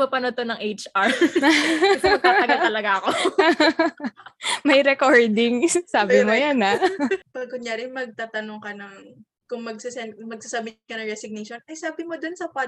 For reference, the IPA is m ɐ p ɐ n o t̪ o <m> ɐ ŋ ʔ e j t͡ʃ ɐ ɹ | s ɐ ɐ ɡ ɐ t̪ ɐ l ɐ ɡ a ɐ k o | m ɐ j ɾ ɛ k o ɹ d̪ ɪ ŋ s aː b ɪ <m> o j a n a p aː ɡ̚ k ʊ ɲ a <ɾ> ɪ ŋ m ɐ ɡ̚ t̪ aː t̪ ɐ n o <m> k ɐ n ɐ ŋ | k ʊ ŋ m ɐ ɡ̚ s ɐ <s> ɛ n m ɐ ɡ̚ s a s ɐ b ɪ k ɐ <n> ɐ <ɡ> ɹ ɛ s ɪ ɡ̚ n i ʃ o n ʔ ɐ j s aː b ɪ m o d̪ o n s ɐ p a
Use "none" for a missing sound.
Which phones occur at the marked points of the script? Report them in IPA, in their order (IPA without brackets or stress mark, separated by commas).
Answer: n, m, ɾ, ŋ, s, n, ŋ